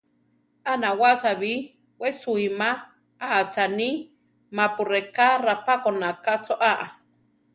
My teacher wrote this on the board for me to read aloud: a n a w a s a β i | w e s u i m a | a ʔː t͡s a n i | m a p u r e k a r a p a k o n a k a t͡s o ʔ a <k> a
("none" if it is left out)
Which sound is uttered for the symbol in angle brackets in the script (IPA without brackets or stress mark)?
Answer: ʔ